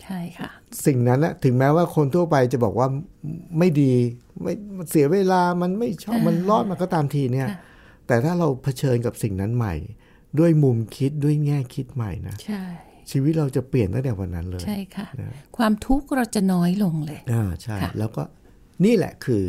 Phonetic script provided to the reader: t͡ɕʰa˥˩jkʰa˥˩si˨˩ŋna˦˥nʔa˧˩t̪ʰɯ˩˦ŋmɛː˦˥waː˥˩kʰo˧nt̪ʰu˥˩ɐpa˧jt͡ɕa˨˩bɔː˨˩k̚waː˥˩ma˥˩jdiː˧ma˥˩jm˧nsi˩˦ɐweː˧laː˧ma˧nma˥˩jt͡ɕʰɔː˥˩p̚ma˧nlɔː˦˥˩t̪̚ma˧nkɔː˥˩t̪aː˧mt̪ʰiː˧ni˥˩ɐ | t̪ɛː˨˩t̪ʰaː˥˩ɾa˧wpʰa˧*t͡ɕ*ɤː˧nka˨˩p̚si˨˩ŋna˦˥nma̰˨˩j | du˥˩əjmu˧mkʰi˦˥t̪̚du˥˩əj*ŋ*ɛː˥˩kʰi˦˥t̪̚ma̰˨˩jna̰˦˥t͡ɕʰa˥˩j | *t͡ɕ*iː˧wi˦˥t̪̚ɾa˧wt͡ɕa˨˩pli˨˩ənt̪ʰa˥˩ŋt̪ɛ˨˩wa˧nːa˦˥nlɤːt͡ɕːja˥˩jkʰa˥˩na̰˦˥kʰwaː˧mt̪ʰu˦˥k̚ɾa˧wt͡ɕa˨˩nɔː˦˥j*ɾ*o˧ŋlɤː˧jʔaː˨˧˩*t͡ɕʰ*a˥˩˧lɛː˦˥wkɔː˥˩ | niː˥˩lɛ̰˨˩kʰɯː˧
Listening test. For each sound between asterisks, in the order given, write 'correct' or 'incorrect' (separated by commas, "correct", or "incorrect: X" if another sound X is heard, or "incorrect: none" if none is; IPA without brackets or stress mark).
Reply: incorrect: t͡ɕʰ, correct, incorrect: t͡ɕʰ, incorrect: l, correct